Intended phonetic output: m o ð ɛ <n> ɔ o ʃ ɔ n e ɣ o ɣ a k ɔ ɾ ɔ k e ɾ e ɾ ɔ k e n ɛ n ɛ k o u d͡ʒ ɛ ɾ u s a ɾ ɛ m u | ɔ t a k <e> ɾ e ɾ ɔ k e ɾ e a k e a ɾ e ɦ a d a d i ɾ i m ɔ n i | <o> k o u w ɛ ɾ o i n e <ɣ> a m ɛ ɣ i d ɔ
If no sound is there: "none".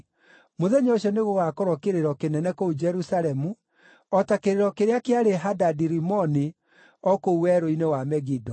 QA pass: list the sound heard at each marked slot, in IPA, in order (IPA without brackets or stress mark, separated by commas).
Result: ɲ, e, ɔ, w